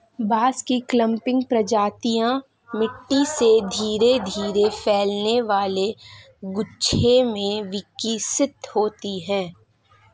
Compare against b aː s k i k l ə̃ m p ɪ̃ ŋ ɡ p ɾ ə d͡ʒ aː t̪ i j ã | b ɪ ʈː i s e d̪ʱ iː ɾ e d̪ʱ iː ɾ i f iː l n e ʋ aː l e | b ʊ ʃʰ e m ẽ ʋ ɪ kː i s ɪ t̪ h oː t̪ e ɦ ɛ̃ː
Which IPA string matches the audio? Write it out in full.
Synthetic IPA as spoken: b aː s k i k l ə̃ m p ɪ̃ ŋ ɡ p ɾ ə d͡ʒ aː t̪ i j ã | m ɪ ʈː i s e d̪ʱ iː ɾ e d̪ʱ iː ɾ e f ɛː l n e ʋ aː l e | ɡ ʊ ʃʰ e m ẽ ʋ ɪ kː i s ɪ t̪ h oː t̪ i ɦ ɛ̃ː